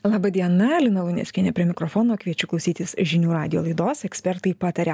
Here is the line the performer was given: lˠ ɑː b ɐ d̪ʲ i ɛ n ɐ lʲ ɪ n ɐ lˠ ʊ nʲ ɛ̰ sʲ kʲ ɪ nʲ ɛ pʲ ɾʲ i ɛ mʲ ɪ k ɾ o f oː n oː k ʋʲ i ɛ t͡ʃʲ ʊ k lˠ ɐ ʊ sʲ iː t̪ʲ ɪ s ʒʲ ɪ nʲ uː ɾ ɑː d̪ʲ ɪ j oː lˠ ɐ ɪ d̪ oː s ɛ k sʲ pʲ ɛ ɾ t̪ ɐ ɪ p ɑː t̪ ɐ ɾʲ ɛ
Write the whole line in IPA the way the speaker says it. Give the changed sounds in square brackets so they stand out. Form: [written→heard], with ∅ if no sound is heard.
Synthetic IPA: lˠ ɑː b ɐ d̪ʲ i ɛ n ɐ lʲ ɪ n ɐ lˠ ʊ nʲ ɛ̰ sʲ kʲ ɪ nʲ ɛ pʲ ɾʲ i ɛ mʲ ɪ k ɾ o f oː n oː k ʋʲ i ɛ t͡ʃʲ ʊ k lˠ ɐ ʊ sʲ iː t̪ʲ ɪ s ʒʲ ɪ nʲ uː ɾ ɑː d̪ʲ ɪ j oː lˠ ɐ ɪ d̪ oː s ɛ k sʲ pʲ ɛ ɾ t̪ ɐ ɪ p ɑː t̪ ɐ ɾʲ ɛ